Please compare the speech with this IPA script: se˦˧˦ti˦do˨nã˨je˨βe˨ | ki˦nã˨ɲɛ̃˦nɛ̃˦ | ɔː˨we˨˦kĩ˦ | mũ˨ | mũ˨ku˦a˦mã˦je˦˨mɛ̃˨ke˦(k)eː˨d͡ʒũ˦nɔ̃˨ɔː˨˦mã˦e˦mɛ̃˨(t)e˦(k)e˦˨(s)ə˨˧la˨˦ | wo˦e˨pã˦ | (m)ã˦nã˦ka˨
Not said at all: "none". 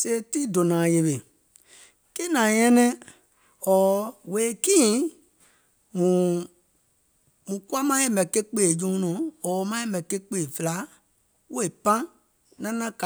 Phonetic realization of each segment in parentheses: k͡p, k, k͡p, f, n

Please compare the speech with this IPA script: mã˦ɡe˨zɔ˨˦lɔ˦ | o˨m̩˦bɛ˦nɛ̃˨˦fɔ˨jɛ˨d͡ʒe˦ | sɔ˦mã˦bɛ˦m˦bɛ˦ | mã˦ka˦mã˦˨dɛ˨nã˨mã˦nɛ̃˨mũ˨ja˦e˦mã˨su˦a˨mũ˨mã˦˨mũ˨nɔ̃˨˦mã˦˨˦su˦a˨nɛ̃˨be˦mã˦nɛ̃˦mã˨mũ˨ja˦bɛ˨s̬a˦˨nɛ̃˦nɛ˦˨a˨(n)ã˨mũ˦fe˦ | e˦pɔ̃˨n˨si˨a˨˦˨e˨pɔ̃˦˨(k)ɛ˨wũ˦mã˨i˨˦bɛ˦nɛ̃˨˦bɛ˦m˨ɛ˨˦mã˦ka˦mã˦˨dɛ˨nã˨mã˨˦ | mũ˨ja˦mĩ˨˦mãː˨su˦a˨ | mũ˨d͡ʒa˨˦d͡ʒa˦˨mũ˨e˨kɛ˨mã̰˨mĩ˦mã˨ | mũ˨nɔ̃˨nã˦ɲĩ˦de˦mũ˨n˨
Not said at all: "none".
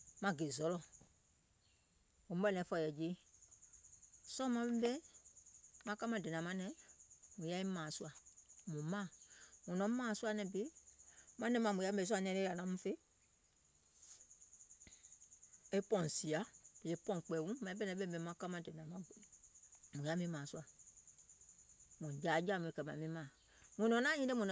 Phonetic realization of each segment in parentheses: n, k͡p

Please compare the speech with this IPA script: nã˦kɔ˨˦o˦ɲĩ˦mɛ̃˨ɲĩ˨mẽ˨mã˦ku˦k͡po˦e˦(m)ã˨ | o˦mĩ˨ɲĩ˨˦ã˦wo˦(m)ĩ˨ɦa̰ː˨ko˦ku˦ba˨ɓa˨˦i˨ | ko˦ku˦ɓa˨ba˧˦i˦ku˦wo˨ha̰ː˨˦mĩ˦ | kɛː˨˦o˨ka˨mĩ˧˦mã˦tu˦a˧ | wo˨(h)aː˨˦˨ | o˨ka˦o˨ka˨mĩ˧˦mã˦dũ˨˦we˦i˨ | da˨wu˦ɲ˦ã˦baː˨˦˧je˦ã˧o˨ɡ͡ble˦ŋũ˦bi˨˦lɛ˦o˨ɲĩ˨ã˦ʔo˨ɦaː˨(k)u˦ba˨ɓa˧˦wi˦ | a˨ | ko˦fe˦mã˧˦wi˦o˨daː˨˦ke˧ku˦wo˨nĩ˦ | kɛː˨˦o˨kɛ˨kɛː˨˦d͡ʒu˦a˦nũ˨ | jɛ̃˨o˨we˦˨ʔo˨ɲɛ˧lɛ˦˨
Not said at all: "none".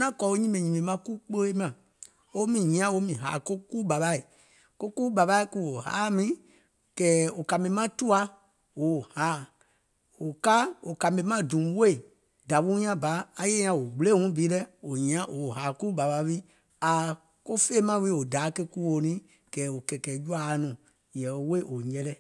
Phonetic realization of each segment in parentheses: m, m, h, k

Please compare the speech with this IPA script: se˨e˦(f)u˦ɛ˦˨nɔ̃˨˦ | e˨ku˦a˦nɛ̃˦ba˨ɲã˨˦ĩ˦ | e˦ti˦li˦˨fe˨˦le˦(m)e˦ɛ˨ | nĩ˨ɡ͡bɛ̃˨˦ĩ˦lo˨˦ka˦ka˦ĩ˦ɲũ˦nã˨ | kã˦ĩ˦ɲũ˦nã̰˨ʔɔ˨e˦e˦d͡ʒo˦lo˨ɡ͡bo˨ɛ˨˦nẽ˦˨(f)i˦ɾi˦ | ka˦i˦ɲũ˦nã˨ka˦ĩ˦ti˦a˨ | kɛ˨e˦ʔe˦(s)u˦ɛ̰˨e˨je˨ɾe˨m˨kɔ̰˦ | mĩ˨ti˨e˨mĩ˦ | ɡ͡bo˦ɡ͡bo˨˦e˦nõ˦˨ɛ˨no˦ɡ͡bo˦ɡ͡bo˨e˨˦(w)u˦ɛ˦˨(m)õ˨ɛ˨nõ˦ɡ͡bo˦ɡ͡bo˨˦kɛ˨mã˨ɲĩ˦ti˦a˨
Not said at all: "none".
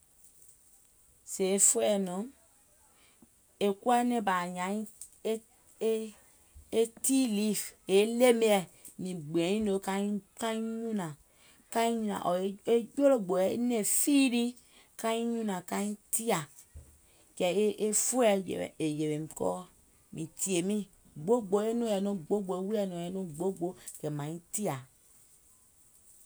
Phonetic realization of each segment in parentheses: f, m, f, f, w, n

